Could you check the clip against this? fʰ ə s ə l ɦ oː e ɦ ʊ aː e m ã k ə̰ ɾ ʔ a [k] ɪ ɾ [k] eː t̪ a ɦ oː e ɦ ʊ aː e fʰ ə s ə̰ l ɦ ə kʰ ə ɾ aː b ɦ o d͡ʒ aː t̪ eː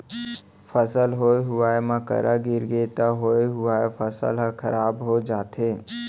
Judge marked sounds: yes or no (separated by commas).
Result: no, no